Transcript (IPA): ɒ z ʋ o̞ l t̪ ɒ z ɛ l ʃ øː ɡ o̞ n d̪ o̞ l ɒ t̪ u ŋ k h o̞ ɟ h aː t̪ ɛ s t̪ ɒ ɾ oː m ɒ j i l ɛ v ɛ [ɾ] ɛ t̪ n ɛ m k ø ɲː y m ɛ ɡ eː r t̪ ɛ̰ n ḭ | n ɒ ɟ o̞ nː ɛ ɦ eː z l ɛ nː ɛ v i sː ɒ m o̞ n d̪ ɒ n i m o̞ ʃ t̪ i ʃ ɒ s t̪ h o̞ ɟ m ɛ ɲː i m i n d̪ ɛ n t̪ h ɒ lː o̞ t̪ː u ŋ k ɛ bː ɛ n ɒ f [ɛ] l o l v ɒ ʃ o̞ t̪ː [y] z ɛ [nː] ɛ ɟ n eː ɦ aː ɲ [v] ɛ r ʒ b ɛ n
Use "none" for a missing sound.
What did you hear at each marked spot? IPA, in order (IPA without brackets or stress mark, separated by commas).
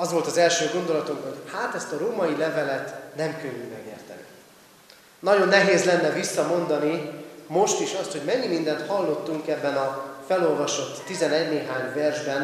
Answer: l, ɛ, i, n, v